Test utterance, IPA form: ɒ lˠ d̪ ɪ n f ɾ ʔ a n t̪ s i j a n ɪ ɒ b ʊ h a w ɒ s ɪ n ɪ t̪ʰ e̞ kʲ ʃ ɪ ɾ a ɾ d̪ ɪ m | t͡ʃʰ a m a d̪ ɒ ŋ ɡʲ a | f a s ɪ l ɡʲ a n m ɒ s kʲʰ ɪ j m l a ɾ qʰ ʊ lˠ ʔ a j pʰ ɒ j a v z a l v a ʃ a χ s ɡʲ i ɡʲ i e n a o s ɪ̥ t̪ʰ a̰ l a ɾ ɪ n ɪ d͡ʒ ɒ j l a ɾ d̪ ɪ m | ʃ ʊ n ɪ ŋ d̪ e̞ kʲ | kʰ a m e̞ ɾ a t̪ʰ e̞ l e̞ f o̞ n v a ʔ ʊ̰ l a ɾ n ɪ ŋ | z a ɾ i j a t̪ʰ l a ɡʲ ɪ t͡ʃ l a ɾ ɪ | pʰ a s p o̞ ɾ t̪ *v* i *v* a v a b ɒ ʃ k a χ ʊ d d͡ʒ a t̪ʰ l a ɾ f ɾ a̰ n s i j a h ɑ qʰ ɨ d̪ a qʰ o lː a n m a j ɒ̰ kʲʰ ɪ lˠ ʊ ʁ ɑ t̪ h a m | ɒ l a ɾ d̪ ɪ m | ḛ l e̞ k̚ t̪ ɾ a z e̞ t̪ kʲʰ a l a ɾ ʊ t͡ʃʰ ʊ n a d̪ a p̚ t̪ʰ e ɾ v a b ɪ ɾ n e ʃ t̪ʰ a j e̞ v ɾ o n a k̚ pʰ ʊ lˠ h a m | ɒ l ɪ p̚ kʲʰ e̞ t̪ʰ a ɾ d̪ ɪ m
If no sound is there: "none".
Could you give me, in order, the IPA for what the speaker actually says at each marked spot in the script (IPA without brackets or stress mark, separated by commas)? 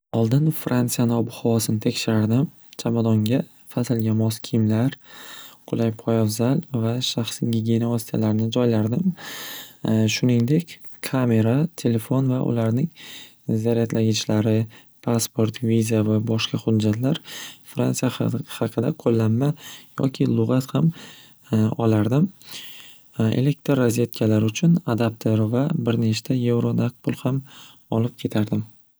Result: v, z